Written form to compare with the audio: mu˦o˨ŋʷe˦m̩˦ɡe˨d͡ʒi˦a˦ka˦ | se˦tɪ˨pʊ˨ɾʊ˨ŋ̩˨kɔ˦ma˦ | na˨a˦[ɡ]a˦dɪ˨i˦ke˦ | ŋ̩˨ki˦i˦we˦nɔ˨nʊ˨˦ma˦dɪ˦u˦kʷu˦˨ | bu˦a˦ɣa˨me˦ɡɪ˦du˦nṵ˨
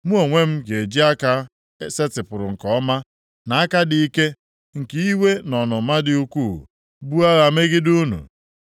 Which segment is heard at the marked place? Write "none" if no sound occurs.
k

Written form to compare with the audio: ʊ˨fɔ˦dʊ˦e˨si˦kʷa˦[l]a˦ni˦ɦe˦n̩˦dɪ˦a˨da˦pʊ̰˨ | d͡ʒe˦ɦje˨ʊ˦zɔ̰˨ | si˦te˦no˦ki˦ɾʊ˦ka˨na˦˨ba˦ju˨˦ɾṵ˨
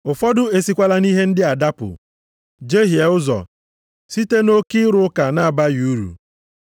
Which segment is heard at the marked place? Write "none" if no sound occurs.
l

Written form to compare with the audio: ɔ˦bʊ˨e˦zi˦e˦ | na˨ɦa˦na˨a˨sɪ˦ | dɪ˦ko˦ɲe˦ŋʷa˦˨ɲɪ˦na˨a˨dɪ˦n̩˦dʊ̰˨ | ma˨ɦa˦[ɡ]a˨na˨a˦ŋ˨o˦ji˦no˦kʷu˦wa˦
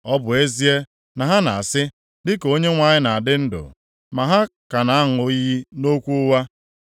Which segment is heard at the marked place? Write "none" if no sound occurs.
k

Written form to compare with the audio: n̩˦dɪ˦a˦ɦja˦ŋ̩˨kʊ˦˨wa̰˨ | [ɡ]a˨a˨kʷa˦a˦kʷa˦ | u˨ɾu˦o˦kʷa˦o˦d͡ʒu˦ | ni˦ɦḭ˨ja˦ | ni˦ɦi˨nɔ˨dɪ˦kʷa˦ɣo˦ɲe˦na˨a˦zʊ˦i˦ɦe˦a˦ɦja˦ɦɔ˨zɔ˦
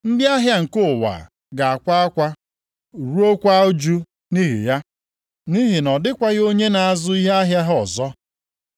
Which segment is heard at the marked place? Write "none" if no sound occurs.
ɡ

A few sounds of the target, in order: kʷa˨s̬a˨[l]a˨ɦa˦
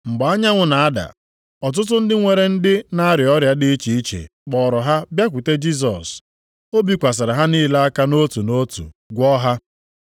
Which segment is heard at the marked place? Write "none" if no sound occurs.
ɾ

